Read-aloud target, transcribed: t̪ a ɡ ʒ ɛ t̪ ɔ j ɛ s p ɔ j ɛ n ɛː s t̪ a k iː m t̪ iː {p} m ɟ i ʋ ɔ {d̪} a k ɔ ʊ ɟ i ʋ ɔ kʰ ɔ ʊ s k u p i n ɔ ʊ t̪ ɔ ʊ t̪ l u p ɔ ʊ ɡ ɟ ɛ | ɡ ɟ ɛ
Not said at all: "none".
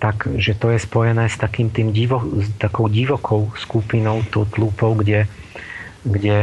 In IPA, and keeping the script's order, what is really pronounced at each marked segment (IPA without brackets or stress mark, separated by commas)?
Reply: none, t̪